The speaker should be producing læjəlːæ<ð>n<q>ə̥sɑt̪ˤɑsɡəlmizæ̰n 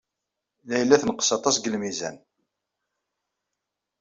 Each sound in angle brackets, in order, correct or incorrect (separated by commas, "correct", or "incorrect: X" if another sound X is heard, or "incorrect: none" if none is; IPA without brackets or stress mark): incorrect: θ, correct